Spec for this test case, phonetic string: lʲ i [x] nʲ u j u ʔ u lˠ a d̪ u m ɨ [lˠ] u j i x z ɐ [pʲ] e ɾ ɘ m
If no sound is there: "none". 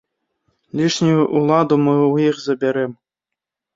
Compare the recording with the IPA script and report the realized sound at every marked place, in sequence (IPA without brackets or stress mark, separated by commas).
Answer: ʂ, none, bʲ